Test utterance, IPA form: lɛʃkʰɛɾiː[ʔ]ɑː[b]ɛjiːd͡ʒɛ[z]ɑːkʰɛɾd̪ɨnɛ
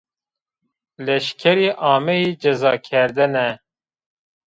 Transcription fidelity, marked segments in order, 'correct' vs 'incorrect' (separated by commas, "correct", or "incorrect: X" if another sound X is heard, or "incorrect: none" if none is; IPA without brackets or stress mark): correct, incorrect: m, correct